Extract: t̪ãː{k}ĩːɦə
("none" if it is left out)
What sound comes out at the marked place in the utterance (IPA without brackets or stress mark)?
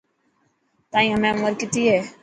none